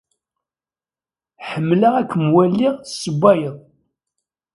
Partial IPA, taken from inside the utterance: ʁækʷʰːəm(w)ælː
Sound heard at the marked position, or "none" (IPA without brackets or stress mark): w